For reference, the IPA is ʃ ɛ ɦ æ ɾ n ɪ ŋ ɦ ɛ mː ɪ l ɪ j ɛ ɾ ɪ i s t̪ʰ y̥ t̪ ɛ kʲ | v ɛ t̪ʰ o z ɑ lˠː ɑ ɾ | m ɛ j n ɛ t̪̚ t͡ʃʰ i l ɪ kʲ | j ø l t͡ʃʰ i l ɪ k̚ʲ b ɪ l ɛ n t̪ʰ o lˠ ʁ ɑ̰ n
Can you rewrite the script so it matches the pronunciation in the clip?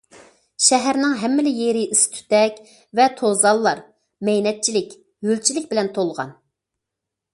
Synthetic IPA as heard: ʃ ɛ ɦ æ ɾ n ɪ ŋ ɦ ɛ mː ɪ l ɪ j e ɾ ɪ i s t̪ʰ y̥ t̪ ɛ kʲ | v ɛ t̪ʰ o z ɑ lˠː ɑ ɾ | m ɛ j n ɛ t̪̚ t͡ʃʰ i l ɪ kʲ | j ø l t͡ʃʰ i l ɪ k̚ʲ b ɪ l ɛ n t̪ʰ o lˠ ʁ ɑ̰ n